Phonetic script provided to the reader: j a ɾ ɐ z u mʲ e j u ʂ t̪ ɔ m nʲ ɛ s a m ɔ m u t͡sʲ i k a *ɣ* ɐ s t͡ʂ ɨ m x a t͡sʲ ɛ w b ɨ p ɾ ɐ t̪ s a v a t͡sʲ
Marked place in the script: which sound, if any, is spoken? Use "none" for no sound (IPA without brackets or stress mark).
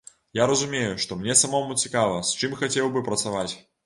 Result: v